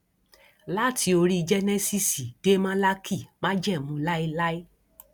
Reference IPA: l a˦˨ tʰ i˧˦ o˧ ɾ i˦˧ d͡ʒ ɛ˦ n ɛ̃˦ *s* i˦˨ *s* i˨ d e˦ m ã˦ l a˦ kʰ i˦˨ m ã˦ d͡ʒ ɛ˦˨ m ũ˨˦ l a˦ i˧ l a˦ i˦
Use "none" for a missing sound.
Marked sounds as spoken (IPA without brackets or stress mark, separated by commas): s, s